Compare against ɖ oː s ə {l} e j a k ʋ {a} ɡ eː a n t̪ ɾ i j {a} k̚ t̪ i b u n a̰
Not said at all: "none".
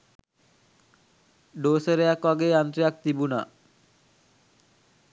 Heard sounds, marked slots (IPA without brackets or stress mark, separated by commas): ɾ, a, a